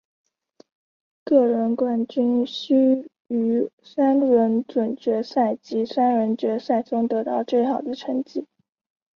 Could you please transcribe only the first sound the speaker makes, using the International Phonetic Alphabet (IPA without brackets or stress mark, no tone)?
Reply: k